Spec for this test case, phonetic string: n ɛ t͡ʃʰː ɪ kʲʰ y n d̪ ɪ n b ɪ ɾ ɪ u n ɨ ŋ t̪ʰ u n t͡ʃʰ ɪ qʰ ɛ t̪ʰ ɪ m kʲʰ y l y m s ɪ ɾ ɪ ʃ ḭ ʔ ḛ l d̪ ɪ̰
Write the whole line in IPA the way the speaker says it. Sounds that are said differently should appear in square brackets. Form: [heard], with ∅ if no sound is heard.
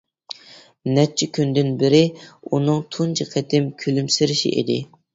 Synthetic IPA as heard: n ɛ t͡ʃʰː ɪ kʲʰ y n d̪ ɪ n b ɪ ɾ ɪ u n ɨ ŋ t̪ʰ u n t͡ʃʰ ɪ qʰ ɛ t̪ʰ ɪ m kʲʰ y l y m s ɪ ɾ ɪ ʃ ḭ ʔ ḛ [∅] d̪ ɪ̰